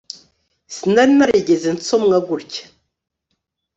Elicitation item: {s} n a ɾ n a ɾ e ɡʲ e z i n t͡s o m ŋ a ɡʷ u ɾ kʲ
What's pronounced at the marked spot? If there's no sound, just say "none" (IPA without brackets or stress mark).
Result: s